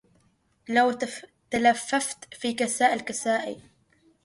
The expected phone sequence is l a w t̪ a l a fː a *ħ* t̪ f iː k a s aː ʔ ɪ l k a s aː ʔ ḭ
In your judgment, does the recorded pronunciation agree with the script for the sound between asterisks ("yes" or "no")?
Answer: no